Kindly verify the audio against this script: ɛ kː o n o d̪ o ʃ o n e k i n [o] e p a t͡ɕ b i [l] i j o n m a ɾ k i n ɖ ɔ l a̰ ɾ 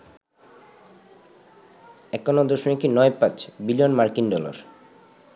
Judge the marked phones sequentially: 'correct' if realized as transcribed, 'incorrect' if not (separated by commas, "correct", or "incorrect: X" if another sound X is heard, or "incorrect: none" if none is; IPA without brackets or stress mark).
incorrect: ɔ, correct